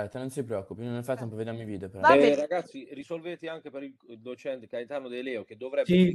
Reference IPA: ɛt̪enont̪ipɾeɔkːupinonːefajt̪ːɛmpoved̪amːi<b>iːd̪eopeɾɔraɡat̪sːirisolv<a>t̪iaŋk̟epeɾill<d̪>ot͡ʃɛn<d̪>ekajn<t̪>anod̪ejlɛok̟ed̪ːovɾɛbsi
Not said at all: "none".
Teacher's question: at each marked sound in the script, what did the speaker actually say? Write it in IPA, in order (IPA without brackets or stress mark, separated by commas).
v, e, d̪, t̪, t̪